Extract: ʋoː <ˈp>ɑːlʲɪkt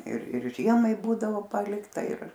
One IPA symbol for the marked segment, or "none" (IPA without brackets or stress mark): p